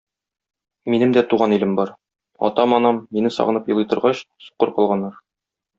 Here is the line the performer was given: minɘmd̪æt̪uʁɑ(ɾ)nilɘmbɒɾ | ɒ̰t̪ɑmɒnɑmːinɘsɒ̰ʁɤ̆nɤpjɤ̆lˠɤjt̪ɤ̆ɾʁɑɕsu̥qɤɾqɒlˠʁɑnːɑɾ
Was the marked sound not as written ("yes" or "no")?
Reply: yes